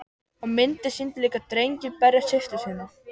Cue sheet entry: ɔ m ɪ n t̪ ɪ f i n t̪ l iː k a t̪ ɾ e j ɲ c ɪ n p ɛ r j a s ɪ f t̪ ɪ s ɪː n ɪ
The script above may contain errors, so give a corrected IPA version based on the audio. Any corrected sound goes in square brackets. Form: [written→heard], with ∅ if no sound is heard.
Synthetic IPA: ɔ m ɪ n t̪ ɪ [f→s] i n t̪ l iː k a t̪ ɾ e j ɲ c ɪ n p ɛ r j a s ɪ f t̪ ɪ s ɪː n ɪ

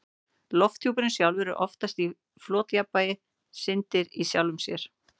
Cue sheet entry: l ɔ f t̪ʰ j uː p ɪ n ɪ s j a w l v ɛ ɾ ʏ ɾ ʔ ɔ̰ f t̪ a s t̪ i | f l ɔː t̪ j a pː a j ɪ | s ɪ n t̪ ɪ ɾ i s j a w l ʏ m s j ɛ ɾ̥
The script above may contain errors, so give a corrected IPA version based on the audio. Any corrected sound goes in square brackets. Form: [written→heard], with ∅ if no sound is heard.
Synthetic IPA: l ɔ f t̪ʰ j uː p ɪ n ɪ s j a w l v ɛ ɾ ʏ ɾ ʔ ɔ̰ f t̪ a s t̪ i | f l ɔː t̪ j a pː a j ɪ | s ɪ n t̪ ɪ ɾ i s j a w l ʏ m s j ɛ ɾ̥

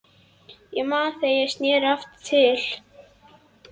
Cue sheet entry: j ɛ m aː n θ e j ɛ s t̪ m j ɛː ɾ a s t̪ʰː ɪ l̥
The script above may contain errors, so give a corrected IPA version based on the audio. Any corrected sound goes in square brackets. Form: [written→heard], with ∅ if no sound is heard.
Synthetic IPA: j ɛ m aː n θ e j ɛ s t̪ [m→n] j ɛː ɾ a [s→f] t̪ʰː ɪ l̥

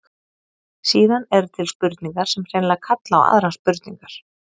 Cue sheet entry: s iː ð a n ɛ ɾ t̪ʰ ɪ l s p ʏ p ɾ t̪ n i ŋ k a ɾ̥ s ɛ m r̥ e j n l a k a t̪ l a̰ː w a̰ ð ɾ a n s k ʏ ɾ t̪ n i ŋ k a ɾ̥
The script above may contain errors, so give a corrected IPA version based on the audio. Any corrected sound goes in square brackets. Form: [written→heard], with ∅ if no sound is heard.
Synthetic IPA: s iː ð a n ɛ ɾ t̪ʰ ɪ l s p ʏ [p→∅] ɾ t̪ n i ŋ k a ɾ̥ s ɛ m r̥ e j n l a [k→kʰ] a t̪ l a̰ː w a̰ ð ɾ a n s [k→p] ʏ ɾ t̪ n i ŋ k a ɾ̥

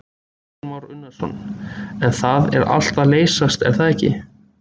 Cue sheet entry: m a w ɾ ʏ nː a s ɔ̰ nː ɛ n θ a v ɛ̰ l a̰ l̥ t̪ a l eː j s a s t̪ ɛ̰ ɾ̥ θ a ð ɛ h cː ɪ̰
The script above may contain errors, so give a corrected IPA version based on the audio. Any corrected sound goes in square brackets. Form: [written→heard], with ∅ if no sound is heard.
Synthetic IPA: m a w ɾ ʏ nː a s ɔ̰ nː ɛ n θ a [v→ð] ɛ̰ [l→ɾ] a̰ l̥ t̪ a l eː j s a s t̪ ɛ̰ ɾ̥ θ a ð ɛ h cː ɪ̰

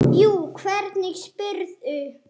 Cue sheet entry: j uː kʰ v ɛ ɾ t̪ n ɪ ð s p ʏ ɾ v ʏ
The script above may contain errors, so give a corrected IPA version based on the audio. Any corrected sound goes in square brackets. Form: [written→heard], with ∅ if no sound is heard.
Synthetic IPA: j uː kʰ v ɛ ɾ t̪ n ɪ [ð→ɣ] s p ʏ ɾ [v→ð] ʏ

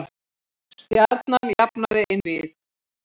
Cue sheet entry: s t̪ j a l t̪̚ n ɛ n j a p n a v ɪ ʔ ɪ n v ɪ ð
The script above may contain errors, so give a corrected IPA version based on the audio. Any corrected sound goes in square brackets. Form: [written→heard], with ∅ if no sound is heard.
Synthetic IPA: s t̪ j a [l→ɾ] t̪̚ n [ɛ→a] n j a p n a [v→ð] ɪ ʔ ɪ n v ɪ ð

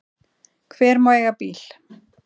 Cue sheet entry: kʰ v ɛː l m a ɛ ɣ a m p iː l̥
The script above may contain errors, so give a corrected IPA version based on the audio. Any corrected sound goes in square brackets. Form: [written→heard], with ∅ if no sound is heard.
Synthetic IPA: kʰ v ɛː [l→ɾ] m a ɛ ɣ a [m→∅] p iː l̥

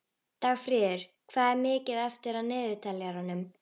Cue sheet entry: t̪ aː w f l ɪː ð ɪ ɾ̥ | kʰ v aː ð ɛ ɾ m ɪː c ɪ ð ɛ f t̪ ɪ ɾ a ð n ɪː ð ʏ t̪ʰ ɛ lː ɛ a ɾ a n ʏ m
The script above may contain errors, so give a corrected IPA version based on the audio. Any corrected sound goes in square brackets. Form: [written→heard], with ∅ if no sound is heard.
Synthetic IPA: t̪ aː [w→ɣ] f [l→ɾ] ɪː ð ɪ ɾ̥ | kʰ v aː ð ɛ ɾ m ɪː c ɪ ð ɛ f t̪ ɪ ɾ a ð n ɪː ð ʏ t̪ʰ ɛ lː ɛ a ɾ a n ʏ m

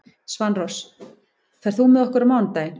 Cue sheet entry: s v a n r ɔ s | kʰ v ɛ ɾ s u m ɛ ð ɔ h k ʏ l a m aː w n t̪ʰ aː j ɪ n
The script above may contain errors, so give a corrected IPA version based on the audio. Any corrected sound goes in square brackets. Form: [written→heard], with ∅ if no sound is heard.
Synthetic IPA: s v a n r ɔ s | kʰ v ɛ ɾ [s→θ] u m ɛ ð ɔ h k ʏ [l→ɾ] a m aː w n [t̪ʰ→t̪] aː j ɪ n

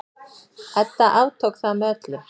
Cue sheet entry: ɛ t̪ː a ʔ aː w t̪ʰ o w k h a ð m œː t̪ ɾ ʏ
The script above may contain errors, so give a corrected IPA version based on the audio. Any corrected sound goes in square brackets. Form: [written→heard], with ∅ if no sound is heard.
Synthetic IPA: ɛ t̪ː a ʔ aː w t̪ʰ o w k [h→θ] a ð m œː t̪ [ɾ→l] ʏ

